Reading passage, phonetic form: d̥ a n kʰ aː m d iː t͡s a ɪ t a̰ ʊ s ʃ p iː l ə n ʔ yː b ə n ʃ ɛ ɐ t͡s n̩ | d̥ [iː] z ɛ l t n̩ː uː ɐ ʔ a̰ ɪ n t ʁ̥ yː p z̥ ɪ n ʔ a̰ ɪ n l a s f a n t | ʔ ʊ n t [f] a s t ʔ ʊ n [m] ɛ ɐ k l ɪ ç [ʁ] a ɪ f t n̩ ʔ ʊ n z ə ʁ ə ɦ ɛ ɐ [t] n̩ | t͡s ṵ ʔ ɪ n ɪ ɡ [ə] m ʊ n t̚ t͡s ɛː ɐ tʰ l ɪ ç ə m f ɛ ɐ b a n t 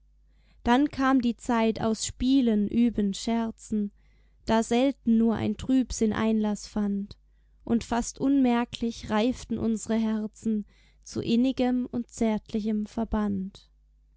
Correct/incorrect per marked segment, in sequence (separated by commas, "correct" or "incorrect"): incorrect, correct, correct, correct, incorrect, correct